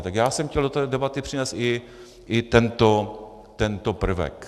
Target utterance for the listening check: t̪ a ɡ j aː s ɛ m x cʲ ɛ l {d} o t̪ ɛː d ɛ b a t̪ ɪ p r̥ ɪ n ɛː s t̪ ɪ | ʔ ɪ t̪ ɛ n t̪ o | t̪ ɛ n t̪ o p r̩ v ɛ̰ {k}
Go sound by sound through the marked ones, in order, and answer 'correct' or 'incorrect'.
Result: correct, correct

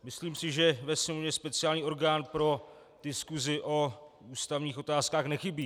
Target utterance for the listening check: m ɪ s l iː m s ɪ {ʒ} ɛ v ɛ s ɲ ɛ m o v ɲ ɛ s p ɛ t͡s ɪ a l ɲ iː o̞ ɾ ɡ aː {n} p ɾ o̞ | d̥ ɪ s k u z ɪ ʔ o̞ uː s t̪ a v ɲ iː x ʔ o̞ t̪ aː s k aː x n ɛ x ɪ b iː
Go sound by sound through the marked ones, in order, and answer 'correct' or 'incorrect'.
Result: correct, correct

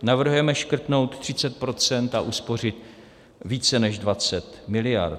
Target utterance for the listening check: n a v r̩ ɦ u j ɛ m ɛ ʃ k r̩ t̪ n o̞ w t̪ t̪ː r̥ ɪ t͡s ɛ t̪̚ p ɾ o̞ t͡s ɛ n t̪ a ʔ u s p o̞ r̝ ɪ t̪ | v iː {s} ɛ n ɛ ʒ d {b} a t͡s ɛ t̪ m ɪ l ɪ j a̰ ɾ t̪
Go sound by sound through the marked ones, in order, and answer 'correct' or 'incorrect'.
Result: incorrect: t͡s, incorrect: v

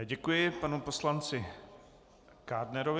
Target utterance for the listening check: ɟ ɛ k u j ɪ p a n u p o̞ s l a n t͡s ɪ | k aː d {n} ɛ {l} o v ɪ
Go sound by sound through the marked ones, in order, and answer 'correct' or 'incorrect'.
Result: correct, incorrect: ɾ

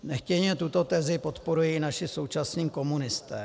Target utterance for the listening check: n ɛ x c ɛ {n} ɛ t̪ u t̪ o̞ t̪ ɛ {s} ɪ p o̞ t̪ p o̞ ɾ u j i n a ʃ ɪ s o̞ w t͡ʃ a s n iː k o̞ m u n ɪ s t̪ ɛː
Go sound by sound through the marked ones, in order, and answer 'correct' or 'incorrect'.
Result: incorrect: ɲ, incorrect: z

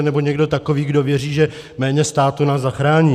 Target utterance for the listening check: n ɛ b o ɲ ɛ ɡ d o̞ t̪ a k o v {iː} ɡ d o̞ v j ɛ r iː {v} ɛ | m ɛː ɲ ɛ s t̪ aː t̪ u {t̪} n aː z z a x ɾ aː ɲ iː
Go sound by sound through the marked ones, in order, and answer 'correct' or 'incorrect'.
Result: correct, incorrect: ʒ, incorrect: none

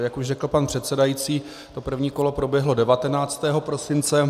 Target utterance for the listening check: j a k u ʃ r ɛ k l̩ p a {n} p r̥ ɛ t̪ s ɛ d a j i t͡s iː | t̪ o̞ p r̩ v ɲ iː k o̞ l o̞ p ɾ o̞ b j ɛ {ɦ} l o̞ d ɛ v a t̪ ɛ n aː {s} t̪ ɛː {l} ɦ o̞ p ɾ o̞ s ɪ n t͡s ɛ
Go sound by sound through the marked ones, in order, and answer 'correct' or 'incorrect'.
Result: correct, correct, incorrect: t͡s, incorrect: none

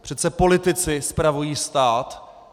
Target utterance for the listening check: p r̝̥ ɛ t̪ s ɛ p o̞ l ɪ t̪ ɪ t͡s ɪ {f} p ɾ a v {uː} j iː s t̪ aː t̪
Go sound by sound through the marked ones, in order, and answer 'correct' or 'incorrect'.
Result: incorrect: s, incorrect: u

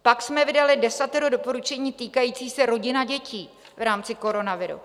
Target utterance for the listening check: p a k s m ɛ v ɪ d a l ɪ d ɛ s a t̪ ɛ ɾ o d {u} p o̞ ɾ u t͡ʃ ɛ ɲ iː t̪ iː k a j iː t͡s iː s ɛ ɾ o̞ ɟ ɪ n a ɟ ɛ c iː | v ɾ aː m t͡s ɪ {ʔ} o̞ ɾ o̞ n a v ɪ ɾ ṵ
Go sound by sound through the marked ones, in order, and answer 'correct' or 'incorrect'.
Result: incorrect: o, incorrect: k

